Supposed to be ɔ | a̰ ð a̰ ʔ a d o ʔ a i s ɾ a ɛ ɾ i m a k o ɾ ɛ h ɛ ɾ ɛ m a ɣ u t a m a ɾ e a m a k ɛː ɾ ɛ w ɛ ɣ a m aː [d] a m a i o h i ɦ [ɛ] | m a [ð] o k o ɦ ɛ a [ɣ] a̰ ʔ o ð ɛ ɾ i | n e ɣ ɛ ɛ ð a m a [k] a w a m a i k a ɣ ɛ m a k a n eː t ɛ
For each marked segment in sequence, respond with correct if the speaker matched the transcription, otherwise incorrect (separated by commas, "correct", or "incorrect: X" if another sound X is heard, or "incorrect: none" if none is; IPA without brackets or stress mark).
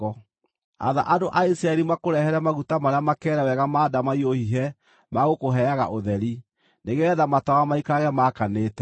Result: correct, correct, incorrect: ɣ, correct, incorrect: t